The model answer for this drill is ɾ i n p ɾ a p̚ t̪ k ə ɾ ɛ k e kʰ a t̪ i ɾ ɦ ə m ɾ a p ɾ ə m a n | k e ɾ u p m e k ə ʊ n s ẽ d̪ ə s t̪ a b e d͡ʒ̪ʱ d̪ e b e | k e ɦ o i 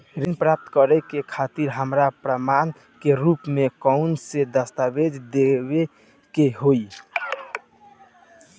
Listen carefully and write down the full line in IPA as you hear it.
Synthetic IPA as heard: ɾ i n p ɾ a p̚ t̪ k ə ɾ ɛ k e kʰ a t̪ i ɾ ɦ ə m ɾ a p ɾ ə m a n | k e ɾ u p m e k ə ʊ n s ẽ d̪ ə s t̪ a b e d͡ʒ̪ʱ d̪ e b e | k e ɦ o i